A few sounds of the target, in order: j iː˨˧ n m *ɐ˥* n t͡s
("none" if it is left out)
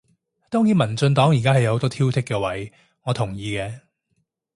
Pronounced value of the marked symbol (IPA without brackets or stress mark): ɐ˨˩